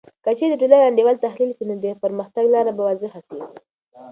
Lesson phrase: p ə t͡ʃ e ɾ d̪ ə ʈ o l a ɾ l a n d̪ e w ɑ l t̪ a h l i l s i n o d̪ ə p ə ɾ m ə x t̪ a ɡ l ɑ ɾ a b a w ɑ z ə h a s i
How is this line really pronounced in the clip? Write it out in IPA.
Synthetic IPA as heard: k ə t͡ʃ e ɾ d̪ ə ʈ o l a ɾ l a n d̪ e w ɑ l t̪ a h l i l s i n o d̪ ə p ə ɾ m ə x t̪ a ɡ l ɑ ɾ a b a w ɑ z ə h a s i